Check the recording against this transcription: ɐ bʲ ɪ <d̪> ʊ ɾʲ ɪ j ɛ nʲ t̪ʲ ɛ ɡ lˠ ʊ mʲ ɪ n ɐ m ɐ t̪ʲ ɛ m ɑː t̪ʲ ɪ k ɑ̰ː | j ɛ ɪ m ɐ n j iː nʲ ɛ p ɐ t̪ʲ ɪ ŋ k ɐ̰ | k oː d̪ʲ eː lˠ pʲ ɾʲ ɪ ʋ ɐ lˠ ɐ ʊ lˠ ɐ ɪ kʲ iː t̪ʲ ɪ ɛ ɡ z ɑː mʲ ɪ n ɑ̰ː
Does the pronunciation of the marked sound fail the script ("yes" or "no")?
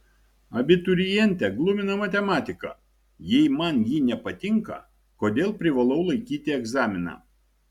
yes